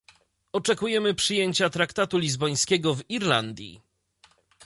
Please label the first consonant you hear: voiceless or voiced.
voiceless